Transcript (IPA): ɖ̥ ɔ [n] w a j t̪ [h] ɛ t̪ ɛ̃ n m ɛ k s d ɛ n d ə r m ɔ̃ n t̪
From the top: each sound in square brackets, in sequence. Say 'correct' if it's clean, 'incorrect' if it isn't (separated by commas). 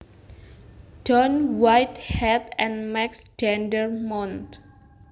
correct, correct